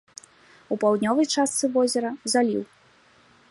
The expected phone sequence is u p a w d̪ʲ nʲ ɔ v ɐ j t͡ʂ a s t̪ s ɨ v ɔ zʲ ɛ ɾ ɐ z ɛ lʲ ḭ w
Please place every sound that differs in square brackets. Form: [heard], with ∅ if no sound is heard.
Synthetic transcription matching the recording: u p a w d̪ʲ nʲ ɔ v ɐ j t͡ʂ a s t̪ s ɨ v ɔ zʲ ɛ ɾ ɐ z [a] lʲ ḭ w